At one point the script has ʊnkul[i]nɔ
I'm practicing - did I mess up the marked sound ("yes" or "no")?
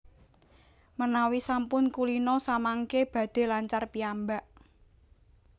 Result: no